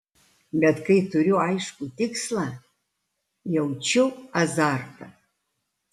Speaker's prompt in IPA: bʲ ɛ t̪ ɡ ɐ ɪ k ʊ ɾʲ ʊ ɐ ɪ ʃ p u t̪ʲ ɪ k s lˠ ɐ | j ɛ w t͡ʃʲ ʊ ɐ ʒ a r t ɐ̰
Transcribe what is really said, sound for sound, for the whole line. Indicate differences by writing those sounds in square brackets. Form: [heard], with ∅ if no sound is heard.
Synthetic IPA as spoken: bʲ ɛ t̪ [k] ɐ ɪ [t] ʊ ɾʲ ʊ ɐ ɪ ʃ [k] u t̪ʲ ɪ k s lˠ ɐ | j ɛ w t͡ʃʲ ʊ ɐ [z] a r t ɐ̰